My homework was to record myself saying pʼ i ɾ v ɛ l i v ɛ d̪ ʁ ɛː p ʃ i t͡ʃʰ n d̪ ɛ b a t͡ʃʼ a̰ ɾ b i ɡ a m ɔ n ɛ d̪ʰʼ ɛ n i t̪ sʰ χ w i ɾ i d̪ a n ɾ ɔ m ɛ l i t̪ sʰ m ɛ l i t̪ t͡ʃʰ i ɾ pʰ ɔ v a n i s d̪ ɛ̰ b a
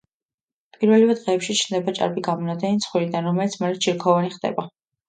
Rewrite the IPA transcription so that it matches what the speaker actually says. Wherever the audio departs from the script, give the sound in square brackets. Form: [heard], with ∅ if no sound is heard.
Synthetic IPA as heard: pʼ i ɾ v ɛ l i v ɛ d̪ ʁ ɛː p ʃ i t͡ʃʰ n d̪ ɛ b a t͡ʃʼ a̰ ɾ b i ɡ a m ɔ n [a] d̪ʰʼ ɛ n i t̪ sʰ χ w i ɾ i d̪ a n ɾ ɔ m ɛ l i t̪ sʰ m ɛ l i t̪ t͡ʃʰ i ɾ [kʰ] ɔ v a n i [χ] d̪ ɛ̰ b a